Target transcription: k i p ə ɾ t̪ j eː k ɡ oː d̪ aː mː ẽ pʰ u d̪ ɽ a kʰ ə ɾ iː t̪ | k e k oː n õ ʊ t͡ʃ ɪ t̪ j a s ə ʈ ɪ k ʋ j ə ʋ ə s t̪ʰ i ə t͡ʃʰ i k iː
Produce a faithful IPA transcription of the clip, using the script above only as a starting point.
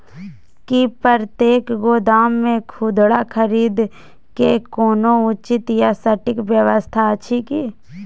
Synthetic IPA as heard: k i p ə ɾ t̪ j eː k ɡ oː d̪ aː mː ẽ kʰ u d̪ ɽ a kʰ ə ɾ iː d̪ | k e k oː n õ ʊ t͡ʃ ɪ t̪ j a s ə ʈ ɪ k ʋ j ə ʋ ə s t̪ʰ a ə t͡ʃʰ i k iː